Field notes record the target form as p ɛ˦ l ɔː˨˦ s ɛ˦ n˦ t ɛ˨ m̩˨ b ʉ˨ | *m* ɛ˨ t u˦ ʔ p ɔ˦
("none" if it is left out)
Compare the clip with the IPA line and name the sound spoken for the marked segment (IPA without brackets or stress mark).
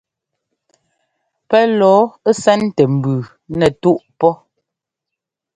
n